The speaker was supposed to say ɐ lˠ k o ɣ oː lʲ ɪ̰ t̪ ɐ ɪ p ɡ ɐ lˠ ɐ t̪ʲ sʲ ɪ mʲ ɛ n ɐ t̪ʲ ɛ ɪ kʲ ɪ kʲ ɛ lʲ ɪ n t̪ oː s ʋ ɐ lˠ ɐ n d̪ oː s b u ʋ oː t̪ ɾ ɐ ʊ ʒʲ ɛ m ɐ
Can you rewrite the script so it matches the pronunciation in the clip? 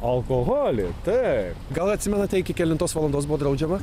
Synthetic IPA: ɐ lˠ k o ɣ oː lʲ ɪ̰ t̪ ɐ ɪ p ɡ ɐ lˠ ɐ t̪ʲ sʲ ɪ mʲ ɛ n ɐ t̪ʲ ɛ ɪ kʲ ɪ kʲ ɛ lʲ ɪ n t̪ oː s ʋ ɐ lˠ ɐ n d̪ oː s b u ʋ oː d̪ ɾ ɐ ʊ d͡ʒʲ ɛ m ɐ